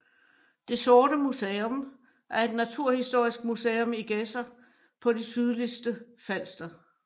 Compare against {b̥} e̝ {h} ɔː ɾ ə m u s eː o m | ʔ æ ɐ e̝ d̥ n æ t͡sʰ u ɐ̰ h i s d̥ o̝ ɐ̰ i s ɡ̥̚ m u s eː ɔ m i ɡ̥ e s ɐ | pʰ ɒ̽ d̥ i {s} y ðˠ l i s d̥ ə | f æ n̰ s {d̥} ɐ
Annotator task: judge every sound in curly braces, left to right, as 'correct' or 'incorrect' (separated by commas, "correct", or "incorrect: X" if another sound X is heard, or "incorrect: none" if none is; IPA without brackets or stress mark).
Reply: incorrect: d̥, incorrect: s, correct, correct